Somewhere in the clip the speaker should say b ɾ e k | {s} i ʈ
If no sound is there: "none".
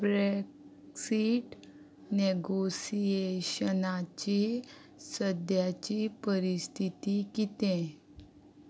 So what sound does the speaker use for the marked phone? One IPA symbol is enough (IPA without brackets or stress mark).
s